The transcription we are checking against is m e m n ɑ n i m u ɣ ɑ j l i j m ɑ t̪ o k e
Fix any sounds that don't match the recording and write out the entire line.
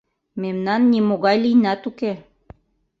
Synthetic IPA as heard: m e m n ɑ nː i m o ɣ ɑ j l i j n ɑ t̪ u k e

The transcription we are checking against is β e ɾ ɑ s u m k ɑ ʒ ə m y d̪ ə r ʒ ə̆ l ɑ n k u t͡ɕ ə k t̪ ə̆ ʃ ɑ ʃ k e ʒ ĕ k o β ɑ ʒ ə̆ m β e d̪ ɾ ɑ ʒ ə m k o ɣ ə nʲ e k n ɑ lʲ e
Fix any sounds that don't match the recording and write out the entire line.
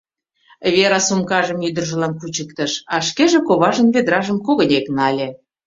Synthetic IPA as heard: β e ɾ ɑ s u m k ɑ ʒ ə m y d̪ ə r ʒ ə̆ l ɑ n k u t͡ɕ ə k t̪ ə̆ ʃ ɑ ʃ k e ʒ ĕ k o β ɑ ʒ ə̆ n β e d̪ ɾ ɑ ʒ ə m k o ɣ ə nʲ e k n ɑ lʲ e

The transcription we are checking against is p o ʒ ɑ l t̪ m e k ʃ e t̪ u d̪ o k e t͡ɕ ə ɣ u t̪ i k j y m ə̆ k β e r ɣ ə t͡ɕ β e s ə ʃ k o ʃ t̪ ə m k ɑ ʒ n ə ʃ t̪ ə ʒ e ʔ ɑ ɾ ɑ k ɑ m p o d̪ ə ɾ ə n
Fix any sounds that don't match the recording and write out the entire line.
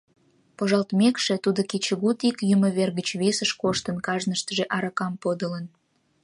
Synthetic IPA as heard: p o ʒ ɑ l t̪ m e k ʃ e t̪ u d̪ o k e t͡ɕ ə ɣ u t̪ i k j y m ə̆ β e r ɣ ə t͡ɕ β e s ə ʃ k o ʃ t̪ ə n k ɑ ʒ n ə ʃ t̪ ə ʒ e ʔ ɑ ɾ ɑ k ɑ m p o d̪ ə l ə n

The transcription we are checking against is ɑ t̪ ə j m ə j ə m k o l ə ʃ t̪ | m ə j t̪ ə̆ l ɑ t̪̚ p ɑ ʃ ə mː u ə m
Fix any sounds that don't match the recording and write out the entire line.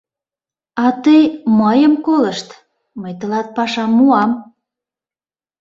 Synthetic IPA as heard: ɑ t̪ ə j m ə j ə m k o l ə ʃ t̪ | m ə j t̪ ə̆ l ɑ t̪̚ p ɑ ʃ ɑ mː u ɑ m

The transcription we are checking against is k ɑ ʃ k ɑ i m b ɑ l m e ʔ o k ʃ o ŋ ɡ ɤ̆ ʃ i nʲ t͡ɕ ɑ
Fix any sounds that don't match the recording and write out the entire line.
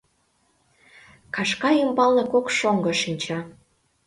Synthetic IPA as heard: k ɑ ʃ k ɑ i m b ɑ l n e k o k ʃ o ŋ ɡ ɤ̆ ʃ i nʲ t͡ɕ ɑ

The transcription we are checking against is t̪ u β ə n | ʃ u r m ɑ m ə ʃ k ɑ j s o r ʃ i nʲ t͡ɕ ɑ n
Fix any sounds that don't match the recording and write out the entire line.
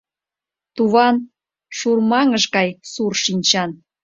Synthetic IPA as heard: t̪ u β ɑ n | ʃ u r m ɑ ŋ ə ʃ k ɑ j s u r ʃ i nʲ t͡ɕ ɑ n

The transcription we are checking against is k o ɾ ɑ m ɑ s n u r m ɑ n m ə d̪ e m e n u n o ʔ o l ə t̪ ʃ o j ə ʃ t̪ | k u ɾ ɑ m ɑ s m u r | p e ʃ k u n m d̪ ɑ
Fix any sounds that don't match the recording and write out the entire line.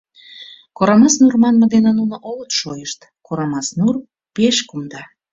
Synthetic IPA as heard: k o ɾ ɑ m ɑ s n u r m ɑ n m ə d̪ e n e n u n o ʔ o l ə t̪ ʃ o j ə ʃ t̪ | k o ɾ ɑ m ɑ s n u r | p e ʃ k u m d̪ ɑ

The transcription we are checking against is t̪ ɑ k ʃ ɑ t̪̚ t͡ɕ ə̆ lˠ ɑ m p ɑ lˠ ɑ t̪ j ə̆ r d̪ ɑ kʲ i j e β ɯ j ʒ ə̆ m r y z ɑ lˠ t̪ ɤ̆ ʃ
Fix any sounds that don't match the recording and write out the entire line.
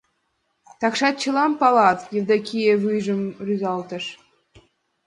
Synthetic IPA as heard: t̪ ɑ k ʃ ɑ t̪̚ t͡ɕ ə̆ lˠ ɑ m p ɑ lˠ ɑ t̪ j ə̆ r d̪ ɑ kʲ i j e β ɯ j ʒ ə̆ m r y z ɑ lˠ t̪ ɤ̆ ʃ

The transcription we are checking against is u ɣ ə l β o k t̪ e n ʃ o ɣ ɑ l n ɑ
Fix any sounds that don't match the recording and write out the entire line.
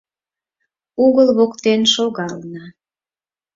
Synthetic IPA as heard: u ɣ ə l β o k t̪ e n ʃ o ɣ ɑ l n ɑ

